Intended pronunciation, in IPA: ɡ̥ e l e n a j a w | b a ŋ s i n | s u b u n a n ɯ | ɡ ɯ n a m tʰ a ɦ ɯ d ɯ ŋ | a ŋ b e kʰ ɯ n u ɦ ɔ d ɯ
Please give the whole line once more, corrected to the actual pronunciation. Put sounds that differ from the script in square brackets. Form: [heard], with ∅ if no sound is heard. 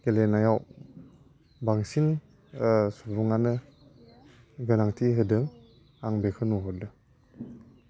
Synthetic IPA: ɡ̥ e l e n a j a w | b a ŋ s i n | s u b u [ŋ] a n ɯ | ɡ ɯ n a [ŋ] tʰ [i] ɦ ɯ d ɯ ŋ | a ŋ b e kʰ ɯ n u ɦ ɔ d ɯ